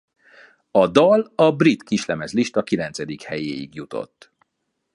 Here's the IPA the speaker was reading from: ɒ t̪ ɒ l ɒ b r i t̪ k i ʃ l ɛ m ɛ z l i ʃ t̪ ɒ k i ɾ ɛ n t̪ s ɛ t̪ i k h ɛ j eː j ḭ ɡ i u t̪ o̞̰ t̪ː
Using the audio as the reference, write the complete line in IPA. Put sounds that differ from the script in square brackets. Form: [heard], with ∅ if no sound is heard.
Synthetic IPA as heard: ɒ [d̪] ɒ l ɒ b r i t̪ k i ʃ l ɛ m ɛ z l i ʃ t̪ ɒ k i [l] ɛ n t̪ s ɛ [d̪] i k h ɛ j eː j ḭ ɡ [j] u t̪ o̞̰ t̪ː